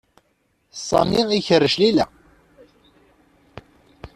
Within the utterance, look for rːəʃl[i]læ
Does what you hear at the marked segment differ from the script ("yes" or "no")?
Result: no